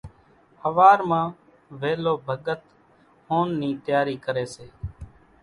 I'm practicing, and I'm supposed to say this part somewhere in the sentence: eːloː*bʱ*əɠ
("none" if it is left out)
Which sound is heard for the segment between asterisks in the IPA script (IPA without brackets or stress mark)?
bʱ